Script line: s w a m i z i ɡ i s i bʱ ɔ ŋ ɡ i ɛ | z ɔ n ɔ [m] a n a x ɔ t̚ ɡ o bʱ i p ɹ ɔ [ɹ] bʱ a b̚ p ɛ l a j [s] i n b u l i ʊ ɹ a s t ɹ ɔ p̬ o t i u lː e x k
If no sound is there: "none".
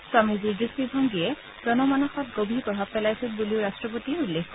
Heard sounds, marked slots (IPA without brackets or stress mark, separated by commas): m, none, s